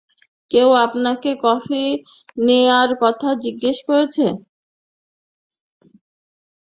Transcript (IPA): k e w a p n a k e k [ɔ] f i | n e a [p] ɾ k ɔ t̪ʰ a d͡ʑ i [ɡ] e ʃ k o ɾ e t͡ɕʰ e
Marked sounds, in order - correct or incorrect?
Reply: correct, incorrect: none, incorrect: ɡː

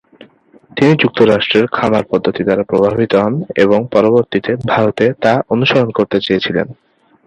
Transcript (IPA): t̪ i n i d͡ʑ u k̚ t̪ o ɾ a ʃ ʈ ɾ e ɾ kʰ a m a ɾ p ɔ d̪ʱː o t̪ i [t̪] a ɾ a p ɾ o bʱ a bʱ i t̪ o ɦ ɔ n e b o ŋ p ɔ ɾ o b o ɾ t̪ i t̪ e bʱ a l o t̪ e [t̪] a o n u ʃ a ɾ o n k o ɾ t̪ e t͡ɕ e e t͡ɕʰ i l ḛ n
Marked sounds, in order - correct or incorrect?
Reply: incorrect: d̪, correct

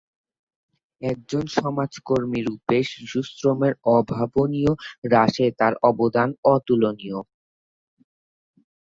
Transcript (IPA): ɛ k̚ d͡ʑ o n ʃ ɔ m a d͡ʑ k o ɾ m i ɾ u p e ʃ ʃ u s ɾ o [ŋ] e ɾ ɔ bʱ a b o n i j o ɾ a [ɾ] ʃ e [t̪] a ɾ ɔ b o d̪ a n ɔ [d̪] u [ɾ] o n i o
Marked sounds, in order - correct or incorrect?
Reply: incorrect: m, incorrect: none, correct, incorrect: t̪, incorrect: l

